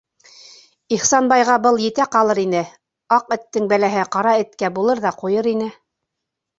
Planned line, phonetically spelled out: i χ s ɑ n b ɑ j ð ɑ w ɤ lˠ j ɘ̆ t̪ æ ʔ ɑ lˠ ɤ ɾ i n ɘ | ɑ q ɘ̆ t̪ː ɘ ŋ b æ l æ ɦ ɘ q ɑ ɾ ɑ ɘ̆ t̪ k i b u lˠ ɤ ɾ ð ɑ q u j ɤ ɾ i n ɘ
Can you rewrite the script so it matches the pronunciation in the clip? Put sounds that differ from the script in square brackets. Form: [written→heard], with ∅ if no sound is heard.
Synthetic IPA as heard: i χ s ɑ n b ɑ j [ð→ʁ] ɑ [w→b] ɤ lˠ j ɘ̆ t̪ æ [ʔ→q] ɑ lˠ ɤ ɾ i n ɘ | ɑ q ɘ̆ t̪ː ɘ ŋ b æ l æ ɦ ɘ q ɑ ɾ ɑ ɘ̆ t̪ k [i→æ] b u lˠ ɤ ɾ ð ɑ q u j ɤ ɾ i n ɘ